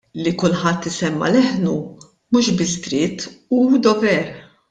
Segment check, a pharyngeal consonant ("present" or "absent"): present